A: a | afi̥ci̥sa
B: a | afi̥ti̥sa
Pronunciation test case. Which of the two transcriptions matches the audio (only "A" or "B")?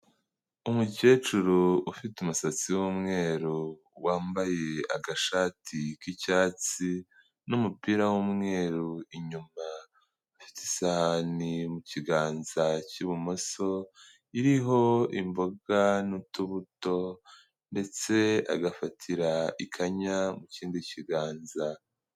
B